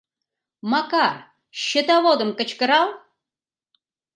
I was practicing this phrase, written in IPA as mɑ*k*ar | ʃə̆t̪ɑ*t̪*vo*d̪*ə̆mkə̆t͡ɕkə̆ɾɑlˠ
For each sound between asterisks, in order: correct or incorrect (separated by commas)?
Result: correct, incorrect, correct